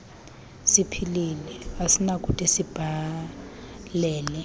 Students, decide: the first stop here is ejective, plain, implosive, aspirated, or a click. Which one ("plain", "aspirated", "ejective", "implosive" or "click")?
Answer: aspirated